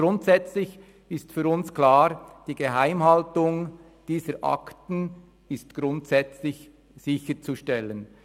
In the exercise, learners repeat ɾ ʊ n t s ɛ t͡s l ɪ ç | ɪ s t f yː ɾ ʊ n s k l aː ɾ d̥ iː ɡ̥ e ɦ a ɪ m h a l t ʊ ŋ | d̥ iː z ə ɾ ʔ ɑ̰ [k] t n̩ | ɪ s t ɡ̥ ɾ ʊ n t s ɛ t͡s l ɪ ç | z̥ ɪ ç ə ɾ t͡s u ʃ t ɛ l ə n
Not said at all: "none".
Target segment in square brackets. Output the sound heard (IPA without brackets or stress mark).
k